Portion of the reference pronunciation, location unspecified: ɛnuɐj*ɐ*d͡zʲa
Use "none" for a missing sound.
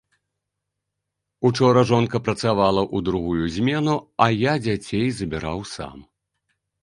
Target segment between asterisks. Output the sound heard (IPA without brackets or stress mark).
a